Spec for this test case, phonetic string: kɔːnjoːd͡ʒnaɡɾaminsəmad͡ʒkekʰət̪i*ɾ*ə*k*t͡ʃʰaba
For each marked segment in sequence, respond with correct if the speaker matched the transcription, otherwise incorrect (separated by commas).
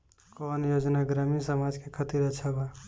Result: correct, incorrect